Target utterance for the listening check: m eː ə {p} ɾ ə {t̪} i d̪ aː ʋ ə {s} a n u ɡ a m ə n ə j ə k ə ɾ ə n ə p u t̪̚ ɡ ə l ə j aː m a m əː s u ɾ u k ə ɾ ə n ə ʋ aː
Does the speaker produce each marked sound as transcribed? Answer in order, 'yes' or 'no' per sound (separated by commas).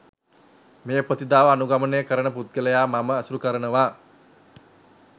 yes, yes, no